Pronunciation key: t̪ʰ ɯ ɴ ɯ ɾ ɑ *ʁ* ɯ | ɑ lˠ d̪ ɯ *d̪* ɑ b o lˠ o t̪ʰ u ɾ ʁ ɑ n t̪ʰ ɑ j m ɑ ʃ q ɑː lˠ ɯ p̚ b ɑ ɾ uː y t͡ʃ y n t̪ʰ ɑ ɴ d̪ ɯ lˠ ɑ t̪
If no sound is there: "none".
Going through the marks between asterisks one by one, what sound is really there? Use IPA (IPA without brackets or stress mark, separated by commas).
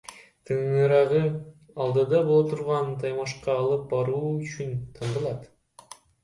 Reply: ʁ, d̪